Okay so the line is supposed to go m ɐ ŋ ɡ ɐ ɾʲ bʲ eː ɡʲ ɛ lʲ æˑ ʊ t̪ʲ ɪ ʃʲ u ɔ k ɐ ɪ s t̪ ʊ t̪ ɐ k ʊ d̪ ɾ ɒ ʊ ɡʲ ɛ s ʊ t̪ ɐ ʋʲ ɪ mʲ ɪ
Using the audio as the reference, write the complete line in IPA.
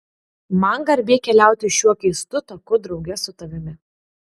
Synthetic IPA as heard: m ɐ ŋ ɡ ɐ ɾʲ bʲ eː kʲ ɛ lʲ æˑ ʊ t̪ʲ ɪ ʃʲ u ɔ k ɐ ɪ s t̪ ʊ t̪ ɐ k ʊ d̪ ɾ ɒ ʊ ɡʲ ɛ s ʊ t̪ ɐ ʋʲ ɪ mʲ ɪ